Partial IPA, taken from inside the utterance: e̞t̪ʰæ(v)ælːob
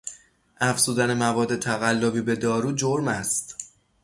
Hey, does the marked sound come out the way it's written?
no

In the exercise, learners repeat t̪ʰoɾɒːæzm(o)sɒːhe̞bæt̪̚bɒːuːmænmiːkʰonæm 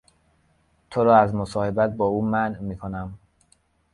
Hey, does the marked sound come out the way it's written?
yes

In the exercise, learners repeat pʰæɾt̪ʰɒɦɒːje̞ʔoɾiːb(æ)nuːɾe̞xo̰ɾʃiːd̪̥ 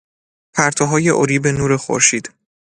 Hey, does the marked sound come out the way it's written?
no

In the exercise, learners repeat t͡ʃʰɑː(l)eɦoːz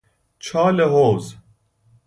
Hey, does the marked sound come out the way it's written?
yes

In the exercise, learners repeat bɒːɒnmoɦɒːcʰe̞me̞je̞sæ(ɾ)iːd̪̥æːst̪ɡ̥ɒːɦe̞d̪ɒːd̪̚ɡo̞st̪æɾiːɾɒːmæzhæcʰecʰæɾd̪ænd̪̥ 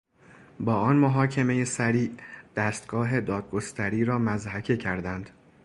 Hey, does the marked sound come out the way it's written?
yes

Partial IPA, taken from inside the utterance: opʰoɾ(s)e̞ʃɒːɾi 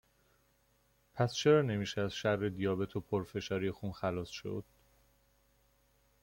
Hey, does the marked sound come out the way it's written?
no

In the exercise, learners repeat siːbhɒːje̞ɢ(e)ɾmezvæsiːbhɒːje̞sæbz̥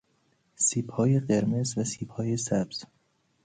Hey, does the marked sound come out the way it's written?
yes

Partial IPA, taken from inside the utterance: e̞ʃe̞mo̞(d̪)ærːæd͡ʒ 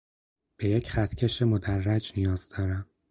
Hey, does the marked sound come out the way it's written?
yes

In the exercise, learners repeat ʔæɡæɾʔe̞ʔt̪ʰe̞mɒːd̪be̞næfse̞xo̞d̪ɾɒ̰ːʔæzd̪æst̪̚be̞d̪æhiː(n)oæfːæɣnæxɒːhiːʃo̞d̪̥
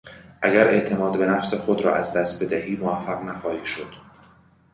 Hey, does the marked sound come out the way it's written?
no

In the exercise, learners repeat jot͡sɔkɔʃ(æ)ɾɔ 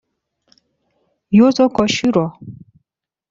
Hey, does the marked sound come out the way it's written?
no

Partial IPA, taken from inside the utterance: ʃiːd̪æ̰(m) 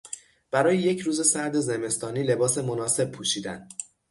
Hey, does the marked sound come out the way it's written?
no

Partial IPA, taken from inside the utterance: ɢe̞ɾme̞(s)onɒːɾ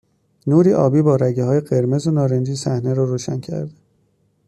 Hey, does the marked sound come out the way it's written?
no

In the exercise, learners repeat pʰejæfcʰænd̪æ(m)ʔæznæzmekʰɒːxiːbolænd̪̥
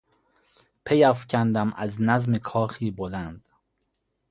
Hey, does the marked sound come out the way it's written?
yes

